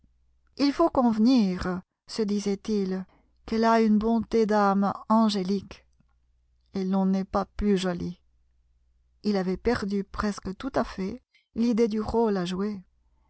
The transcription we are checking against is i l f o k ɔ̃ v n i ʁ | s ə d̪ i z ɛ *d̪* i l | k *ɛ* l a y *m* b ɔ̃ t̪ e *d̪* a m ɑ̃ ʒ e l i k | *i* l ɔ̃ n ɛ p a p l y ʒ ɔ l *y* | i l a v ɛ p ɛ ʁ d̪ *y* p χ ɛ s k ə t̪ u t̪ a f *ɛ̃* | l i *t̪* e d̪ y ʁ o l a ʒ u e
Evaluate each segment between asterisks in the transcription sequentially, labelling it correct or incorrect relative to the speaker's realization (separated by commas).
incorrect, correct, incorrect, correct, incorrect, incorrect, correct, incorrect, incorrect